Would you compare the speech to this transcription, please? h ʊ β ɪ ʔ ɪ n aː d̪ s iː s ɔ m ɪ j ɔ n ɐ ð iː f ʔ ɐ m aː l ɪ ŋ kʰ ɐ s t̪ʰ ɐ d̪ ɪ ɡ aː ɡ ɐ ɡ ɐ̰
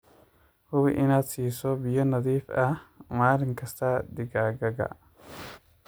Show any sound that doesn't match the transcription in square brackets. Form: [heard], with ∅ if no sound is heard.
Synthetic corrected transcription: h ʊ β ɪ ʔ ɪ n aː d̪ s iː s ɔ [b] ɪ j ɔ n ɐ ð iː f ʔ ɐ m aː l ɪ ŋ kʰ ɐ s t̪ʰ ɐ d̪ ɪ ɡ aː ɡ ɐ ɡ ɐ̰